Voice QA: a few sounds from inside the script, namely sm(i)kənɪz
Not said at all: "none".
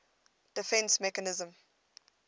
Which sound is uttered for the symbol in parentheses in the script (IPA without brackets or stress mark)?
ɛ